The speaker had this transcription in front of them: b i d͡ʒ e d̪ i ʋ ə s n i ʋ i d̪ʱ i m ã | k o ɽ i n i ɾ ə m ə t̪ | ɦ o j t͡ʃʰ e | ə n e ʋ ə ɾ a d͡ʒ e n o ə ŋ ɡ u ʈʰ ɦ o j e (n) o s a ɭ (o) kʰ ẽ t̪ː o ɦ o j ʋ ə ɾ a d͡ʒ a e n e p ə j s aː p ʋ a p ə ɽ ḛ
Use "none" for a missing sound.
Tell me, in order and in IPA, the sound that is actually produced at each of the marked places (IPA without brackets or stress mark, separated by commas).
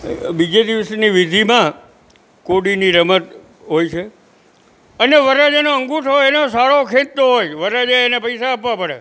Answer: n, o